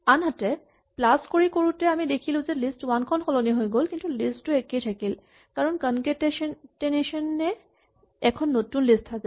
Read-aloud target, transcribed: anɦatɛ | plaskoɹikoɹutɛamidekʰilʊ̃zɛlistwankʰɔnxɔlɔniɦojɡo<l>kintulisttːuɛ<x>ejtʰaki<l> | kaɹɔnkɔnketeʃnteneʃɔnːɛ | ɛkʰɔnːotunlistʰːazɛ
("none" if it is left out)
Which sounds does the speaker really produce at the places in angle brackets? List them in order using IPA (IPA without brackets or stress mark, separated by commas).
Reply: l, k, l